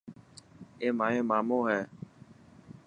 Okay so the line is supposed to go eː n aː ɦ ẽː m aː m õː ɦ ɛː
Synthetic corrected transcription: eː m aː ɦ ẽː m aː m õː ɦ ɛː